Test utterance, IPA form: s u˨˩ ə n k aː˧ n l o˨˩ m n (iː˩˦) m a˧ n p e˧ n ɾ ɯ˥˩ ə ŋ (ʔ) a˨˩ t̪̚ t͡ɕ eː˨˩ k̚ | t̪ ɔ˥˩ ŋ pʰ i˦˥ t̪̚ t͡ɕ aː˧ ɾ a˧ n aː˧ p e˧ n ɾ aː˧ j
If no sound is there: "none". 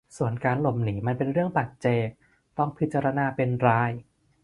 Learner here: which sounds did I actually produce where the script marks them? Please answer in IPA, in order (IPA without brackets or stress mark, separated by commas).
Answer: iː˩˦, p